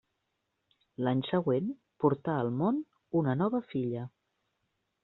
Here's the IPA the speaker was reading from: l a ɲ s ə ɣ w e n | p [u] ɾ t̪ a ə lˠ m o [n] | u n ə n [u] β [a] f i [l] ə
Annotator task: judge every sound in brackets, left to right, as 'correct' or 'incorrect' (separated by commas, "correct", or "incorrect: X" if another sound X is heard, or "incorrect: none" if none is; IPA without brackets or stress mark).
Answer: correct, correct, incorrect: ɔ, incorrect: ə, incorrect: ʎ